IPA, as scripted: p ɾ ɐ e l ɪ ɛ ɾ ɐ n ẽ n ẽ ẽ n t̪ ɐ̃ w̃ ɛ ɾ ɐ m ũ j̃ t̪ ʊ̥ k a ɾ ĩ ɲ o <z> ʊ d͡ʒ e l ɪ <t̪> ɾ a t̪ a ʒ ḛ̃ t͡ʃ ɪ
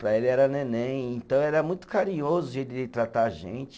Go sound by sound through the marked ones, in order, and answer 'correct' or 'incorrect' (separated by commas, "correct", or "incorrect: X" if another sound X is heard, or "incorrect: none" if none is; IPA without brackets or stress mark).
correct, correct